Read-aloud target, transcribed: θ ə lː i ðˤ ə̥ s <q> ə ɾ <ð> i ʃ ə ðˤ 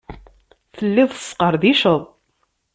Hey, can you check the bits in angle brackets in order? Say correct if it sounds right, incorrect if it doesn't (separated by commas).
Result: correct, correct